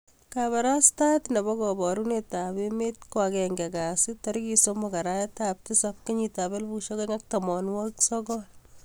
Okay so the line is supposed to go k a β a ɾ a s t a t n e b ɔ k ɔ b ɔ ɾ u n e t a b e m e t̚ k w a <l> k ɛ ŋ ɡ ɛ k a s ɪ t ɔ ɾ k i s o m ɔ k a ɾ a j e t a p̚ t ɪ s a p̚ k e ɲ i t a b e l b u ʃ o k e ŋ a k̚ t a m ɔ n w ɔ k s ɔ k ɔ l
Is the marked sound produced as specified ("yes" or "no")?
no